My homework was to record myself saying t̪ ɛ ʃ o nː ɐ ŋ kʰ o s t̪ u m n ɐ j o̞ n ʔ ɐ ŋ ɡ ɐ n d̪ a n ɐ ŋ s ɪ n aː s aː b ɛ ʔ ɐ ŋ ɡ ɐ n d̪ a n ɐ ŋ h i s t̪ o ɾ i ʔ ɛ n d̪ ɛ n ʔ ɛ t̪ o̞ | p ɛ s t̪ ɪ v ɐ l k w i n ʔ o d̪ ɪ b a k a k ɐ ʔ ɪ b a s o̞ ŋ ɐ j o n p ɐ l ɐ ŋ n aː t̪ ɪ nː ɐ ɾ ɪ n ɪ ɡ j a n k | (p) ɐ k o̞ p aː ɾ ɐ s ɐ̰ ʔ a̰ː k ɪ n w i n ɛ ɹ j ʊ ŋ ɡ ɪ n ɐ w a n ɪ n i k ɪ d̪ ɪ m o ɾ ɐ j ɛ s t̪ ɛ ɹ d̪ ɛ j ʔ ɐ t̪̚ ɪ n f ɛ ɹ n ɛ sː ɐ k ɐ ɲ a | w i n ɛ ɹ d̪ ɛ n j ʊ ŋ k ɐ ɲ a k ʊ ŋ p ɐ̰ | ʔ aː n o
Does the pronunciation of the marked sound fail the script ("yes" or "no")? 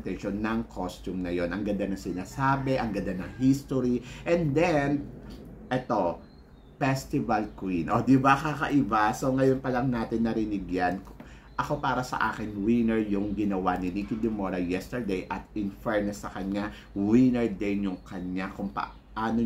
yes